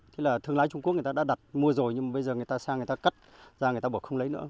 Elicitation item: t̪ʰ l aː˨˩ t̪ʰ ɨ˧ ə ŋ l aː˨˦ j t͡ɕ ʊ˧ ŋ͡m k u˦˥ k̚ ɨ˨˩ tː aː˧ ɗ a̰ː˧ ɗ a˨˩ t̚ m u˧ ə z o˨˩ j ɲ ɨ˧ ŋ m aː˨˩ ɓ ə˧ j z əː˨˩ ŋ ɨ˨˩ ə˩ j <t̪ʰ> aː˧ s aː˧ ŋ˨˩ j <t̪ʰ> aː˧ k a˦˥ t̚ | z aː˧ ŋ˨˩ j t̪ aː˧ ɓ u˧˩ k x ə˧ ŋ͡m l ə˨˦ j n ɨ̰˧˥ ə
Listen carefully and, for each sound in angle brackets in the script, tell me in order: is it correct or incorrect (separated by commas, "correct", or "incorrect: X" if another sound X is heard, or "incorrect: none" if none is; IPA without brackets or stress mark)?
incorrect: t̪, incorrect: t̪